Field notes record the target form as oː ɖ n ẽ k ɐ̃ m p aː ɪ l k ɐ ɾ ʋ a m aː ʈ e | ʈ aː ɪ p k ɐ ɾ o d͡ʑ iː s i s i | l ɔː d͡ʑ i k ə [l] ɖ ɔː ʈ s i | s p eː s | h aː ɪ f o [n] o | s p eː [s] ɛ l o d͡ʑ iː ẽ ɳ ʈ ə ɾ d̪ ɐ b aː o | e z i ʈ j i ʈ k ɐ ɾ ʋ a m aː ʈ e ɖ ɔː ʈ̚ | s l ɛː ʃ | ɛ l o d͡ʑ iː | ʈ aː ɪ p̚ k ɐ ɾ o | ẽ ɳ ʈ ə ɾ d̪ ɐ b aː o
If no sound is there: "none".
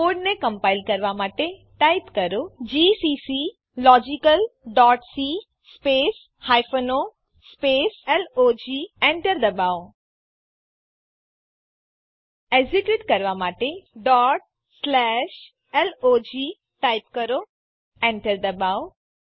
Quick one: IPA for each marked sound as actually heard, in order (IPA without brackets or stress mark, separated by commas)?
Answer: l, n, s